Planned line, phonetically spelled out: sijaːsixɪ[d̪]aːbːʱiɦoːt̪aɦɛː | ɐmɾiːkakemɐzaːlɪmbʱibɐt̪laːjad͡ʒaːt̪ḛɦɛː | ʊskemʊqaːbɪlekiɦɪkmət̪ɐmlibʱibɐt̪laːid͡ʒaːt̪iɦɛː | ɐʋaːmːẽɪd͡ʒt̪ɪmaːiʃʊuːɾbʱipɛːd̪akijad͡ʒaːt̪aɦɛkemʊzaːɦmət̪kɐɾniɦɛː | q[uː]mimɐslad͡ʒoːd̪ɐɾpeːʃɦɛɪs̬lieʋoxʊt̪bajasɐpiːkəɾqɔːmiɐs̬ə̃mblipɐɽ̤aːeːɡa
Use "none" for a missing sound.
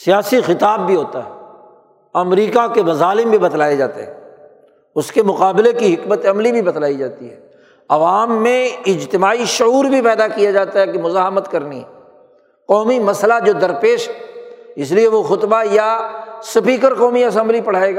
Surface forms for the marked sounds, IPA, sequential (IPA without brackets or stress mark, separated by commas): t̪, ɔː